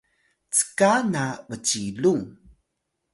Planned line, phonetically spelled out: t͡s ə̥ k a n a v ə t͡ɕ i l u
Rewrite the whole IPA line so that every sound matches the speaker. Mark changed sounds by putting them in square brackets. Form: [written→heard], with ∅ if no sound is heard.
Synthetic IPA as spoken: t͡s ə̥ k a n a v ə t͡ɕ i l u